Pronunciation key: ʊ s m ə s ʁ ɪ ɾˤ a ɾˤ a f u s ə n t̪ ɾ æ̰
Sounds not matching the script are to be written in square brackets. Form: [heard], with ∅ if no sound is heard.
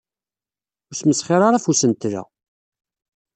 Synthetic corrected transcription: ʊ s m ə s [χ] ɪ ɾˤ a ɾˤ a f u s ə n t̪ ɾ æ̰